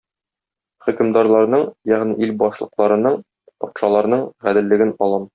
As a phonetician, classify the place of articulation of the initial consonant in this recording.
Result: uvular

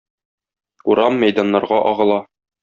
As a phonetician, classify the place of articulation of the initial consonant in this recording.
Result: alveolar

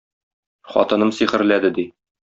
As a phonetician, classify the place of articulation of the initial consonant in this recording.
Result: uvular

